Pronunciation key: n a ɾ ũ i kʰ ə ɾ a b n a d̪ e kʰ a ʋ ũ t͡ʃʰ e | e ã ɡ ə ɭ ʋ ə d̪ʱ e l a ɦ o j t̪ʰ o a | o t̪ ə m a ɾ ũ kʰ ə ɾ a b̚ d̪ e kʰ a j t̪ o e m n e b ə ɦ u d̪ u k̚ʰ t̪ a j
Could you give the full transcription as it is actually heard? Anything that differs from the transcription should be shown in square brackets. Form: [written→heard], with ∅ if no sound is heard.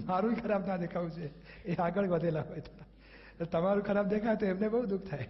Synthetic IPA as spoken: [n→m] a ɾ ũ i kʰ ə ɾ a b n a d̪ e kʰ a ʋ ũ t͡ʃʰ e | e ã ɡ ə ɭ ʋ ə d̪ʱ e l a ɦ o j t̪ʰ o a | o t̪ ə m a ɾ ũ kʰ ə ɾ a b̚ d̪ e kʰ a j t̪ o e m n e b ə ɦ u d̪ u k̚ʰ [t̪→t̪ʰ] a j